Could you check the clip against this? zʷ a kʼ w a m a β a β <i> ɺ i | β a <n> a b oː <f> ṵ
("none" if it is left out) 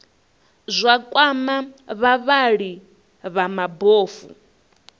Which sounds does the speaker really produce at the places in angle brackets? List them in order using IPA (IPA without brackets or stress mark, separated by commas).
a, m, f